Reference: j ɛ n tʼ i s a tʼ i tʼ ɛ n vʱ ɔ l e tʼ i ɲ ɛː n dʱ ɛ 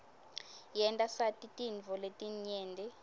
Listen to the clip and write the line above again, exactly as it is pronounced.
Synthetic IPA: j ɛ n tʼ a s a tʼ i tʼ i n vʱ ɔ l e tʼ i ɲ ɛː n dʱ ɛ